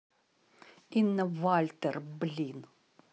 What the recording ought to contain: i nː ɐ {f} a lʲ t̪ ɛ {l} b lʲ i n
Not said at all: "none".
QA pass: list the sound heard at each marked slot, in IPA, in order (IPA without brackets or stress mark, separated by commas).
v, r